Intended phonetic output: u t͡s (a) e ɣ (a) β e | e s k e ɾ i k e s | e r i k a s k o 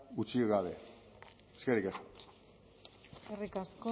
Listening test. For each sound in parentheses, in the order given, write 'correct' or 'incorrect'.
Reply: incorrect, correct

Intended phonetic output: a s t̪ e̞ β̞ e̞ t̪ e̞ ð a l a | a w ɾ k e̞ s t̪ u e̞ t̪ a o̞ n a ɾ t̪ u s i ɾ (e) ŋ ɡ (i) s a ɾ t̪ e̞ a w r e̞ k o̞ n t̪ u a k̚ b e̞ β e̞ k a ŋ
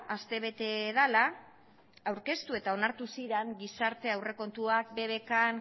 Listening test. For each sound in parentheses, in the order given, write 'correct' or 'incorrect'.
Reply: correct, correct

